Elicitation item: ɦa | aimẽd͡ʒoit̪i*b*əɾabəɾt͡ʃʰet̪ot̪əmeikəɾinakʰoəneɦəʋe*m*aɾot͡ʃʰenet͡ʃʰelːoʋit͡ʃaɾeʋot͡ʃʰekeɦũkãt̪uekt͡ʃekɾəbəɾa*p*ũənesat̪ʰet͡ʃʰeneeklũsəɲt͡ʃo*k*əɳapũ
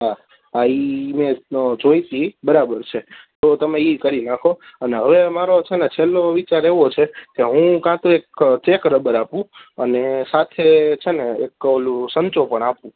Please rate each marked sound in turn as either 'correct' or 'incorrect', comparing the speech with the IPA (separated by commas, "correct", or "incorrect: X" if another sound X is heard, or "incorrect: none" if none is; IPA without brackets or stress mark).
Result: correct, correct, correct, incorrect: p